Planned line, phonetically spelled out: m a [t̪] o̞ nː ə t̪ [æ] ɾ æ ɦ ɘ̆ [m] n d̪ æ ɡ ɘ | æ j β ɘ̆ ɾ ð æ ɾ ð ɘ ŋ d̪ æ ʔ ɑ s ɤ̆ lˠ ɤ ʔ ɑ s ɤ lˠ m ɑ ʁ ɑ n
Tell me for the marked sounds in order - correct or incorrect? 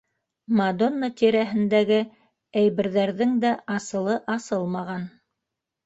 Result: incorrect, incorrect, incorrect

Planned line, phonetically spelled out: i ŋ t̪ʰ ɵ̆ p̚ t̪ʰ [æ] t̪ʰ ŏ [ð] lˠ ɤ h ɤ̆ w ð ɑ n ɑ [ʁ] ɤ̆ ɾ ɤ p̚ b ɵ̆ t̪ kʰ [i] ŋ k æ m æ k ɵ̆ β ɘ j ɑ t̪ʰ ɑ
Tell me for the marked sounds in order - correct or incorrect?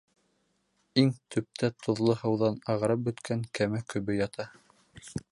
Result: correct, correct, correct, incorrect

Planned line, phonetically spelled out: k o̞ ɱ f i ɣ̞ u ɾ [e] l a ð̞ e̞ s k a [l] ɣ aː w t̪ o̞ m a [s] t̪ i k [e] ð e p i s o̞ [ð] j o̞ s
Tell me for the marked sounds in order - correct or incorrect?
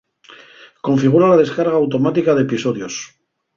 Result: incorrect, incorrect, incorrect, incorrect, correct

